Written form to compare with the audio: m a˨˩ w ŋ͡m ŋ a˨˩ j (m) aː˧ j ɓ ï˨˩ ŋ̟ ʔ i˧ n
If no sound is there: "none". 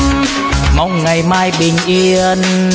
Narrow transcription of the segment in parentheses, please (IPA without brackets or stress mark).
m